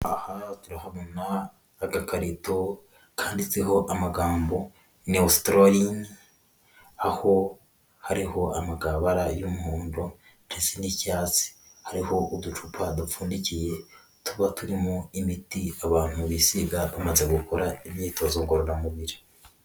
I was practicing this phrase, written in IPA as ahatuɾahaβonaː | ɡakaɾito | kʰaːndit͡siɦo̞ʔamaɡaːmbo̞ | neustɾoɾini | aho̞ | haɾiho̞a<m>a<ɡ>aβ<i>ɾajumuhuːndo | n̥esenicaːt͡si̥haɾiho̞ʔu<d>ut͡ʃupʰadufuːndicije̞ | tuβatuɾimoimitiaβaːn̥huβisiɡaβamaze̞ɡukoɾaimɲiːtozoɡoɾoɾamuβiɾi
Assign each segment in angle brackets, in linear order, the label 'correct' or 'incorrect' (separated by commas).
correct, correct, incorrect, correct